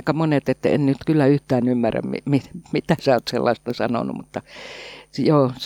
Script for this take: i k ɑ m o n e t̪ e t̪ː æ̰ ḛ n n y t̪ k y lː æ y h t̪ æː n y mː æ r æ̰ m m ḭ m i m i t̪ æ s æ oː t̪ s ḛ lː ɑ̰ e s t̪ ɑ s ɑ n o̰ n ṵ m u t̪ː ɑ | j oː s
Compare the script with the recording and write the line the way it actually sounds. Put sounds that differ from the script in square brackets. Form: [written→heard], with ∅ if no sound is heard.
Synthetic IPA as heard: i k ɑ m o n e t̪ e t̪ː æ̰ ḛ n n y t̪ k y lː æ y h t̪ æː n y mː æ r æ̰ m m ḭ m i m i t̪ æ s æ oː t̪ s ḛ lː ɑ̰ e s t̪ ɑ s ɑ n o̰ n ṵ m u t̪ː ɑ | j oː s